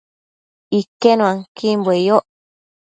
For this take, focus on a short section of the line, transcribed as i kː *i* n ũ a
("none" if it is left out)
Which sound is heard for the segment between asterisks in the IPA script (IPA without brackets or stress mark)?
e